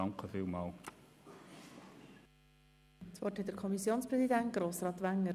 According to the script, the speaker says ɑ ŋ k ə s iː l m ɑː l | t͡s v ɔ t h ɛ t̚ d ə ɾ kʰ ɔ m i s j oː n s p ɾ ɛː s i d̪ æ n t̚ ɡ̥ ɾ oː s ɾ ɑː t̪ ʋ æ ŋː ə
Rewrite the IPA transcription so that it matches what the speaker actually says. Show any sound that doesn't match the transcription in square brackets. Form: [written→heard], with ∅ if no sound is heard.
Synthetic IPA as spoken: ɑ ŋ k ə [s→f] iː l m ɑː l | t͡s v ɔ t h ɛ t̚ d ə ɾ kʰ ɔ m i s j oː n s p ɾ [ɛː→ɛ] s i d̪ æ n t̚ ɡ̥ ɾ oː s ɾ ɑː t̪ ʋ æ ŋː ə

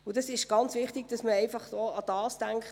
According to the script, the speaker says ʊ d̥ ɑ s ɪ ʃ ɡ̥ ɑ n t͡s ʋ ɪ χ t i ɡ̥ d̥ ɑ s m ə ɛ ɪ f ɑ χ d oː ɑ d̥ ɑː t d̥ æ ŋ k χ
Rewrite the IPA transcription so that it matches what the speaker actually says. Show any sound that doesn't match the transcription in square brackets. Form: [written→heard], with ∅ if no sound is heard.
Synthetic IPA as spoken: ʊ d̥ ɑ s ɪ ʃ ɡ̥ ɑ n t͡s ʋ ɪ χ t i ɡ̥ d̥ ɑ s m ə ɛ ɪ f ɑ χ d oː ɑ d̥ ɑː [t→s] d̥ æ ŋ k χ

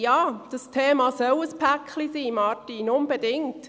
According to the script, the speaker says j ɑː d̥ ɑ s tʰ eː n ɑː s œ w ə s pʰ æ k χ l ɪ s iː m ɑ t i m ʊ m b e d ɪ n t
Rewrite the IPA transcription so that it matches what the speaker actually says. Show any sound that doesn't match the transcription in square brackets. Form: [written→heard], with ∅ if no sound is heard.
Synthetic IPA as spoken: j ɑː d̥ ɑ s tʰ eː [n→m] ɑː s œ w ə s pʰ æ k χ l [ɪ→i] s iː m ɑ t i [m→n] ʊ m b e d ɪ [n→ŋ] t

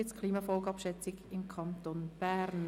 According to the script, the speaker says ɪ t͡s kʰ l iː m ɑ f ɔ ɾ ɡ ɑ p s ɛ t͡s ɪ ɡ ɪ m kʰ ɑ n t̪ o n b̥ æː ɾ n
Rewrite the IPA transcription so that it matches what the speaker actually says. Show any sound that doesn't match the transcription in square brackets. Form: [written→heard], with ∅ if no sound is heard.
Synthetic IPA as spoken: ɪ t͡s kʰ l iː m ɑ f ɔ [ɾ→l] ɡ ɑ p [s→ʃ] ɛ t͡s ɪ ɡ ɪ m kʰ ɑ n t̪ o n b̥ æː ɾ n

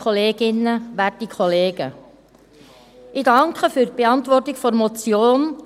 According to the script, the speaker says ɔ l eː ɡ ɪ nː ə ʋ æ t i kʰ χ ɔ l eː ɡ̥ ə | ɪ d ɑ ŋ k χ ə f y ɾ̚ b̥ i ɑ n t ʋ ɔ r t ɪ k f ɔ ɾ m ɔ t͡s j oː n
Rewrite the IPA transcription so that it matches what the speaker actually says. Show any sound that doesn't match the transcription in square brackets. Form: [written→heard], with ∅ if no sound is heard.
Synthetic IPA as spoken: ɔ l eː ɡ ɪ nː ə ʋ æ t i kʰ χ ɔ l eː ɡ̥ ə | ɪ d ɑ ŋ k χ ə f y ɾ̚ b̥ [i→e] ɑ n t ʋ ɔ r t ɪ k f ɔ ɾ m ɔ t͡s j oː n

